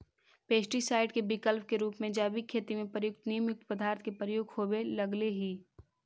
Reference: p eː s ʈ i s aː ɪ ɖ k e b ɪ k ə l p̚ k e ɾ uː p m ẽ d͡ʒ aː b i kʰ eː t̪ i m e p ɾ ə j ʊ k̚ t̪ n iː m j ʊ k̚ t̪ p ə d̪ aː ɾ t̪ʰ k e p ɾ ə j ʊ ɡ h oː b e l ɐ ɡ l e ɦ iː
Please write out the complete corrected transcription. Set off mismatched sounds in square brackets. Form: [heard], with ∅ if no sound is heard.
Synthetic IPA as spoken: p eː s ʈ i s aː ɪ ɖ k e b ɪ k ə l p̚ k e ɾ uː p m ẽ d͡ʒ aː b i kʰ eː t̪ i m [ẽ] p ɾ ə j ʊ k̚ t̪ n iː m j ʊ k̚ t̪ p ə d̪ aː ɾ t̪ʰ k e p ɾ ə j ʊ ɡ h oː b e l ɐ ɡ l e ɦ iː